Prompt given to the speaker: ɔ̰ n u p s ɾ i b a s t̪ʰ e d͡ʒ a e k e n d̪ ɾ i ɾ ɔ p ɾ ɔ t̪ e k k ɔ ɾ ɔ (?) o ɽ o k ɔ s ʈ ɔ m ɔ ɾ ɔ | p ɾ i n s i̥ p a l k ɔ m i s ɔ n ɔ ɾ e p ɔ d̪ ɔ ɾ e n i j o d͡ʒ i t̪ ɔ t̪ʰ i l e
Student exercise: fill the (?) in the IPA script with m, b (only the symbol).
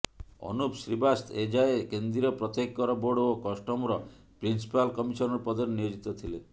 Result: b